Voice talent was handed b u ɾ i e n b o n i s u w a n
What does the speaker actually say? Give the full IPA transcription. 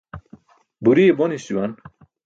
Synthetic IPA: b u ɾ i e b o n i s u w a n